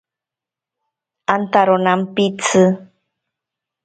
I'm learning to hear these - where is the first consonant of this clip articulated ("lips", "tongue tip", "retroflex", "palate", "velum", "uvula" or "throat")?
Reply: tongue tip